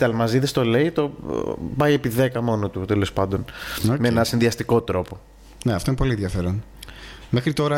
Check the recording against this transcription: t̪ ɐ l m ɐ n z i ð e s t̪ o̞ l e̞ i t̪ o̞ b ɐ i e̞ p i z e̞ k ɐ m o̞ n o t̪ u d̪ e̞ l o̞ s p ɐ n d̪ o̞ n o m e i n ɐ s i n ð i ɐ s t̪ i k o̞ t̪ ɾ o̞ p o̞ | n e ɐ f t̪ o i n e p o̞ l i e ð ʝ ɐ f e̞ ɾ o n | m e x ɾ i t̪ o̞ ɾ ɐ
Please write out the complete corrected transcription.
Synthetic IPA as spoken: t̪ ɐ l m ɐ z i ð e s t̪ o̞ l e̞ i t̪ o̞ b ɐ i e̞ p i ð e̞ k ɐ m o̞ n o t̪ u t̪ e̞ l o̞ s p ɐ n d̪ o̞ n o m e e n ɐ s i n ð i ɐ s t̪ i k o̞ t̪ ɾ o̞ p o̞ | n e ɐ f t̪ o i n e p o̞ l i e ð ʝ ɐ f e̞ ɾ o n | m e x ɾ i t̪ o̞ ɾ ɐ